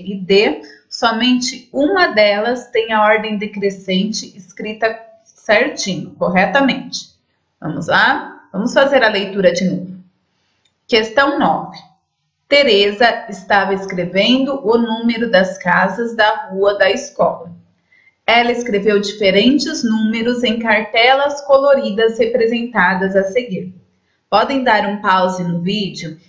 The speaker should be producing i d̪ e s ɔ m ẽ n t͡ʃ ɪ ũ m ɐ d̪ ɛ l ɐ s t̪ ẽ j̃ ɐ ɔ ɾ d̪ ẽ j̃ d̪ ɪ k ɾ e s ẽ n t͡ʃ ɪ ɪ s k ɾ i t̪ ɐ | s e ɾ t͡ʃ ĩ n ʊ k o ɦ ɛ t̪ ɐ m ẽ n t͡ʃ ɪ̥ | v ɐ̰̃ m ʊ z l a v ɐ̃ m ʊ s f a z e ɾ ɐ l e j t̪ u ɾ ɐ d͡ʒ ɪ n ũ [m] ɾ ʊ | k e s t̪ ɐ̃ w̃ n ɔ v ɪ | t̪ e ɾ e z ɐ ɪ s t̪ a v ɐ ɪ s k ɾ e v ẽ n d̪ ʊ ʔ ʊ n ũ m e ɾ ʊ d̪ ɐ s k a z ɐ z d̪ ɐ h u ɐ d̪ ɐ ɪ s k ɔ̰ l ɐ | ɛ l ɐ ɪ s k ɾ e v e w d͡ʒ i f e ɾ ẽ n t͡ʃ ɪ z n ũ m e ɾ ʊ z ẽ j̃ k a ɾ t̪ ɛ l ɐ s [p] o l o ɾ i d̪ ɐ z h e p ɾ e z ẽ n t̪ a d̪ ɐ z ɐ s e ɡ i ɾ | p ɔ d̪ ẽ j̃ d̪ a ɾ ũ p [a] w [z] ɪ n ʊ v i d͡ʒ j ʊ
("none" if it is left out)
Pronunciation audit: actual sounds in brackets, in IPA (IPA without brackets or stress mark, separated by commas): m, k, a, z